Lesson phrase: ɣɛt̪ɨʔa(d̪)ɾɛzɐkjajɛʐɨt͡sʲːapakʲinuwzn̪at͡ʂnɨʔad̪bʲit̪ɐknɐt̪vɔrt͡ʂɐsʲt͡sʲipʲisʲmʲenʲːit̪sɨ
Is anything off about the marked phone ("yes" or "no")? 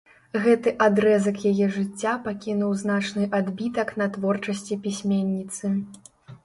no